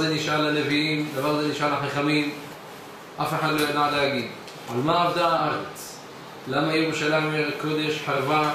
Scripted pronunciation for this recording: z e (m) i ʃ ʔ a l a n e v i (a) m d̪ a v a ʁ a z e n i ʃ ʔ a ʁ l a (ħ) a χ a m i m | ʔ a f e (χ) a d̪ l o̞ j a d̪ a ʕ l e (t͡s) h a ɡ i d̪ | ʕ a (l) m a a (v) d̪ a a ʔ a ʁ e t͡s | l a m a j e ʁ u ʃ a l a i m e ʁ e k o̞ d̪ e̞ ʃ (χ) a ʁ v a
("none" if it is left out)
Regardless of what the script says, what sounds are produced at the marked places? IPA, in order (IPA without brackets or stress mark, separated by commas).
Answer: n, i, ħ, ħ, none, l, v, ħ